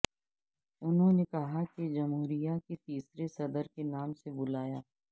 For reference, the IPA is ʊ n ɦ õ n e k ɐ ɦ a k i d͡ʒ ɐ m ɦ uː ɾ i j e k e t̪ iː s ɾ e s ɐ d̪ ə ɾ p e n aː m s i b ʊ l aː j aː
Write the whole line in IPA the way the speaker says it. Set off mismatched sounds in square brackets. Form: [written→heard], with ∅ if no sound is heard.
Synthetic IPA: ʊ n ɦ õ n e k ɐ ɦ a k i d͡ʒ ɐ m ɦ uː ɾ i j [e→a] k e t̪ iː s ɾ e s ɐ d̪ ə ɾ [p→k] e n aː m s [i→e] b ʊ l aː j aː